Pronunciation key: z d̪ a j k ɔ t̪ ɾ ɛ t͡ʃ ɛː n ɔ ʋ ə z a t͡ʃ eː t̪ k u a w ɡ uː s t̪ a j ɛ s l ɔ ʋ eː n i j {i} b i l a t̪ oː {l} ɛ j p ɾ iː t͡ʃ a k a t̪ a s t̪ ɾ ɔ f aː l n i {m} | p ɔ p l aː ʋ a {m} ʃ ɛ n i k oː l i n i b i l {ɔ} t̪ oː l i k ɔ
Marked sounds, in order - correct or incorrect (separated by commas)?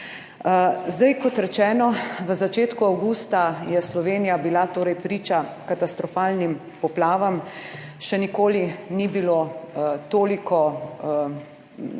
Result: incorrect, incorrect, correct, correct, incorrect